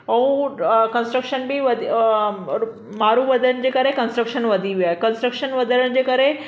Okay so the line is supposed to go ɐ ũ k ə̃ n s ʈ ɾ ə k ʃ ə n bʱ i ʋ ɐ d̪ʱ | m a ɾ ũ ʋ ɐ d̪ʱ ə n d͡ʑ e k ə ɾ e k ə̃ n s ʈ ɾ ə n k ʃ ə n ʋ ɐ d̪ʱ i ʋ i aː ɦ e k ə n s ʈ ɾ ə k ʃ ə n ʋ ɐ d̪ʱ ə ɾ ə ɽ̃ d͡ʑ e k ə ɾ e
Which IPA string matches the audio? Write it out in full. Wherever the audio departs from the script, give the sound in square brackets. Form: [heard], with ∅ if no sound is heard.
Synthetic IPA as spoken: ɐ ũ k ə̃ n s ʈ ɾ ə k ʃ ə n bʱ i ʋ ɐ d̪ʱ | m a ɾ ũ ʋ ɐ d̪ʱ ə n d͡ʑ e k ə ɾ e k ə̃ n s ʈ ɾ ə [∅] k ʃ ə n ʋ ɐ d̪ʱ i ʋ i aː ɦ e k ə n s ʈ ɾ ə k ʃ ə n ʋ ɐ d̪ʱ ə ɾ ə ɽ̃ d͡ʑ e k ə ɾ e

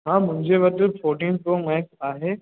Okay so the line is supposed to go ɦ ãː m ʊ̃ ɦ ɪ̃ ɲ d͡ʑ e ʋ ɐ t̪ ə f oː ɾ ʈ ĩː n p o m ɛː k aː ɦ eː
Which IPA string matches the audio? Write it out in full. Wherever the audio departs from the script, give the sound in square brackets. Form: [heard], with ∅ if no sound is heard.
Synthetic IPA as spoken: ɦ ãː m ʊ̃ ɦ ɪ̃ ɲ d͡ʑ e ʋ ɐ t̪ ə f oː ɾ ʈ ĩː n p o m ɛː k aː ɦ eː

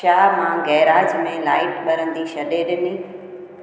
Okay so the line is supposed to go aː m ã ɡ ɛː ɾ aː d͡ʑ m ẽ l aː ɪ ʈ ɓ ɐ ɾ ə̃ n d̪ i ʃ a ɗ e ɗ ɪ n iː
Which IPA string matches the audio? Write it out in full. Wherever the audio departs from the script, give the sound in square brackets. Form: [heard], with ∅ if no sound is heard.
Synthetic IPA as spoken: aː m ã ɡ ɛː ɾ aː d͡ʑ m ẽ l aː ɪ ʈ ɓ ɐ ɾ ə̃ n d̪ i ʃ [ɐ] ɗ e ɗ ɪ n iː

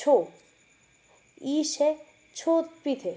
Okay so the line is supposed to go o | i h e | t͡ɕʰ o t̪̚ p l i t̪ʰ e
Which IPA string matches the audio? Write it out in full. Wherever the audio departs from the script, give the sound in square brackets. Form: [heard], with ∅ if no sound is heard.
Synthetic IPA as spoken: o | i [ʃ] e | t͡ɕʰ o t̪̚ p [ɾ] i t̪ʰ e

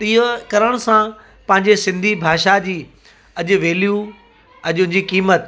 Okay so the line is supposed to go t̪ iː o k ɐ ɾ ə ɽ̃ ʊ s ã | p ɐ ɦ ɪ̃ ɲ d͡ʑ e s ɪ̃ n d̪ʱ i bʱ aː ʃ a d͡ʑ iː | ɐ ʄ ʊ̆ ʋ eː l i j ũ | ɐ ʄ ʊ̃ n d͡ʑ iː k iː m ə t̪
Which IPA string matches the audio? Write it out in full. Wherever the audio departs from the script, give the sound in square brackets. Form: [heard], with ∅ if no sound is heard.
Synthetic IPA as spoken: t̪ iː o k ɐ ɾ ə ɽ̃ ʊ s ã | p [ɐ̃] ɦ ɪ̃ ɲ d͡ʑ e s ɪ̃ n d̪ʱ i bʱ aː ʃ a d͡ʑ iː | ɐ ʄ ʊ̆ ʋ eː l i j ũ | ɐ ʄ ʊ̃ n d͡ʑ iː k iː m ə t̪

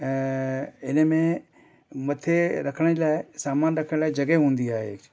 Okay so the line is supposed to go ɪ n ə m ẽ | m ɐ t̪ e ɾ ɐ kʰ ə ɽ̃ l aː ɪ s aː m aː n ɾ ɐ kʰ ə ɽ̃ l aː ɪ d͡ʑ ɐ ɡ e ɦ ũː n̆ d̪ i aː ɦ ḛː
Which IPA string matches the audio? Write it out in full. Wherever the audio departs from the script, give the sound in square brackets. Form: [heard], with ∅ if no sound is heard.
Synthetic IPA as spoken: ɪ n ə m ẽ | m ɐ [t̪ʰ] e ɾ ɐ kʰ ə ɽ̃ l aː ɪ s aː m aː n ɾ ɐ kʰ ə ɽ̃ l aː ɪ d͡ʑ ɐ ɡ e ɦ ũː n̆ d̪ i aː ɦ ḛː

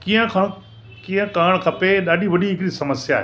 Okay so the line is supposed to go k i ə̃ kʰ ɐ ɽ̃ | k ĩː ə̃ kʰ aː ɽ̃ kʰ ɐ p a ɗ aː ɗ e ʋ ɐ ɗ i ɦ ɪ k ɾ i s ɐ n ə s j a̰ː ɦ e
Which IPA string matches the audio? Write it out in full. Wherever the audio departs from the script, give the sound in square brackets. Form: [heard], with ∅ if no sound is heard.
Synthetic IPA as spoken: k i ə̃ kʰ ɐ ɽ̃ | k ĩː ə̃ [k] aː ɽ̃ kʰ ɐ p [e] ɗ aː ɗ [i] ʋ ɐ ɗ i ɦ ɪ k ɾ i s ɐ [m] ə s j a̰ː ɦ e

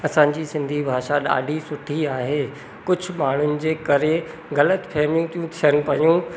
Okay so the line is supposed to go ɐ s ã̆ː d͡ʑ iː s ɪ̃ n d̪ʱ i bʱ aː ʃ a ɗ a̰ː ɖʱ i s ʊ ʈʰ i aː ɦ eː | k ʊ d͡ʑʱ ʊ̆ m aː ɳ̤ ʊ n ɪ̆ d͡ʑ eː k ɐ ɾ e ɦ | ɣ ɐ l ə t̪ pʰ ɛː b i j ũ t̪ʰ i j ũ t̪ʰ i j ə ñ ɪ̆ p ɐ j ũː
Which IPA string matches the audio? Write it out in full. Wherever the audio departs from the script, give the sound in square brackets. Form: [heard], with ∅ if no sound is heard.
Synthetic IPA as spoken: ɐ s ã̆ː d͡ʑ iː s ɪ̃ n d̪ʱ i bʱ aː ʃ a ɗ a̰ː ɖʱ i s ʊ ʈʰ i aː ɦ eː | k ʊ d͡ʑʱ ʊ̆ m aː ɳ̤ ʊ n ɪ̆ d͡ʑ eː k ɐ ɾ e [∅] | ɣ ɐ l ə t̪ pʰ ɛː [m] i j ũ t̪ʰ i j ũ t̪ʰ i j ə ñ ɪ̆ p ɐ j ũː

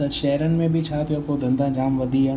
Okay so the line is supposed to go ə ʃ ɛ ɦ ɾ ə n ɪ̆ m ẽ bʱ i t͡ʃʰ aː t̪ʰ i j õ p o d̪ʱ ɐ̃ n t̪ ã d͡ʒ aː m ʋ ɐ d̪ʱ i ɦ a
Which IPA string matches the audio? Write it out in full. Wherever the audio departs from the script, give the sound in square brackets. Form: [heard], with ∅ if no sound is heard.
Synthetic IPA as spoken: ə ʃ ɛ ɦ ɾ ə n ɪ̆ m ẽ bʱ i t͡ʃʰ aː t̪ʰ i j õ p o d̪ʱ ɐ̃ n [d̪] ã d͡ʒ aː m ʋ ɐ d̪ʱ i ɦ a

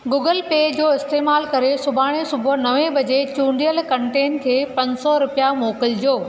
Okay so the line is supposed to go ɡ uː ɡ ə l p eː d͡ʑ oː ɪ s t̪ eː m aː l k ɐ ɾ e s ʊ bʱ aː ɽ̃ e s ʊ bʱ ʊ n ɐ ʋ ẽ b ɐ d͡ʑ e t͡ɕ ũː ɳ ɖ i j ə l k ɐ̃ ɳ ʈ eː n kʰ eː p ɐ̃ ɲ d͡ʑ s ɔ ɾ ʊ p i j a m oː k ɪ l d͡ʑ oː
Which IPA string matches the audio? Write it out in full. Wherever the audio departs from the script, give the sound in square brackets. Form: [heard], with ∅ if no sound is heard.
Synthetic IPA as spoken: ɡ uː ɡ ə l p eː d͡ʑ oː ɪ s t̪ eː m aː l k ɐ ɾ e s ʊ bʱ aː ɽ̃ e s ʊ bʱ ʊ n ɐ ʋ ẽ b ɐ d͡ʑ e t͡ɕ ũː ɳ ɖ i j ə l k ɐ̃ ɳ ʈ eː n kʰ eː p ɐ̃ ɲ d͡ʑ s ɔ ɾ ʊ p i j a m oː k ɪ l d͡ʑ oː

